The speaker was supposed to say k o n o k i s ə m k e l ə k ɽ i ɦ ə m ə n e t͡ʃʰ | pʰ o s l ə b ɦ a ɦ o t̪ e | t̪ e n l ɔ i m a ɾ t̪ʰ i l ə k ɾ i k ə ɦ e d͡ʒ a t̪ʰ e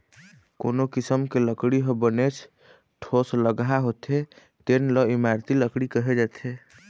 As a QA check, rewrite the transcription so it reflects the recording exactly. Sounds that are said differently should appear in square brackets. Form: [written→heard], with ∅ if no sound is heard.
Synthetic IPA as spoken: k o n o k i s ə m k e l ə k ɽ i ɦ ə [m→b] ə n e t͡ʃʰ | [pʰ→ʈʰ] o s l ə [b→ɡ] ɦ a ɦ o t̪ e | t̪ e n l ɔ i m a ɾ [t̪ʰ→t̪] i l ə k [ɾ→ɽ] i k ə ɦ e d͡ʒ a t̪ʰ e